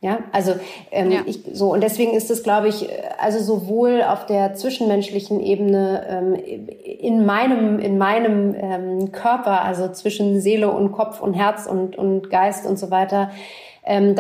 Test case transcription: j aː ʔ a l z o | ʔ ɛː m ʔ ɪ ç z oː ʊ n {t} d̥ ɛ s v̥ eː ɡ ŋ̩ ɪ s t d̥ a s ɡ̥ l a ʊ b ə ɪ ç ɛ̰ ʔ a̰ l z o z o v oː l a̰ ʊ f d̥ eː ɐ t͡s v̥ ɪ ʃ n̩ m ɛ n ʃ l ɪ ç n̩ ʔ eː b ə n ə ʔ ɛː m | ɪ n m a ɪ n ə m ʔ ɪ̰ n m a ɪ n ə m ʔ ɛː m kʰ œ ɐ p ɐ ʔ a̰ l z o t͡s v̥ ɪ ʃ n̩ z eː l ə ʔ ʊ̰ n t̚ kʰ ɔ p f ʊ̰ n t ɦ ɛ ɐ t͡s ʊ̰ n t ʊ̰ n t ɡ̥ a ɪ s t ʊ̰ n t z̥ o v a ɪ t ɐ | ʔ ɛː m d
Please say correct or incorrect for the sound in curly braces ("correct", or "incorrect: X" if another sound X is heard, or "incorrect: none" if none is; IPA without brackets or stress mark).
correct